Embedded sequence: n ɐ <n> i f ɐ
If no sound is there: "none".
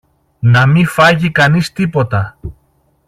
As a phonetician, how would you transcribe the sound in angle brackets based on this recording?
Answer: m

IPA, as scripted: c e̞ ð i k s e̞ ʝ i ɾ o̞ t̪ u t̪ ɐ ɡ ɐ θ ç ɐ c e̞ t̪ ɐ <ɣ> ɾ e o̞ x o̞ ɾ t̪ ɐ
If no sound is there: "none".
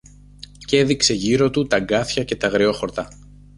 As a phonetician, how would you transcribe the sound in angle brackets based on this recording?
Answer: ɣ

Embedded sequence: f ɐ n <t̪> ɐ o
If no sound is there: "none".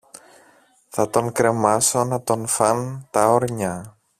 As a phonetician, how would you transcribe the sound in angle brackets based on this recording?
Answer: t̪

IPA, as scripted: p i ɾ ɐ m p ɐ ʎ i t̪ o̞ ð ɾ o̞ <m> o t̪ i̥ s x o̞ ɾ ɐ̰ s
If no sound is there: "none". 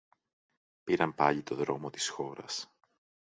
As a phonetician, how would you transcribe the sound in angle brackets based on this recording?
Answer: m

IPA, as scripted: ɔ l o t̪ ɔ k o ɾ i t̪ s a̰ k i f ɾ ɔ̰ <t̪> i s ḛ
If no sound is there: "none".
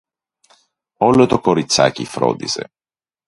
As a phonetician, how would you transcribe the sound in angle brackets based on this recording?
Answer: d̪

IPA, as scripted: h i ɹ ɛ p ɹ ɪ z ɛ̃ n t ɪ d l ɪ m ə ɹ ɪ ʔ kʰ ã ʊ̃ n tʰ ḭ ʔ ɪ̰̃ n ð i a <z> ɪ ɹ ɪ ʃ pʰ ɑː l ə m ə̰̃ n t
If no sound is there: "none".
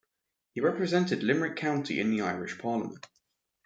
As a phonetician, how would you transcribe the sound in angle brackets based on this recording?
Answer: none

